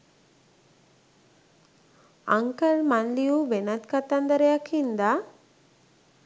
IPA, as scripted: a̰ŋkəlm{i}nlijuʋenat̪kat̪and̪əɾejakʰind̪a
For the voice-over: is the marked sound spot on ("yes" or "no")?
no